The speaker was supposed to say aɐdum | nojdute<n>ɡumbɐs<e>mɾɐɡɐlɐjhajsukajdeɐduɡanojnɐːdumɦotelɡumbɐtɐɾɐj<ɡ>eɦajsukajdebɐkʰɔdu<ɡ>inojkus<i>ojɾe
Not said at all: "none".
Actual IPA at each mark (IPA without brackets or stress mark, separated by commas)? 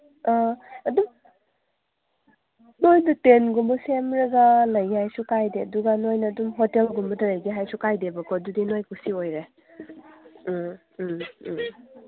n, e, ɡ, d, i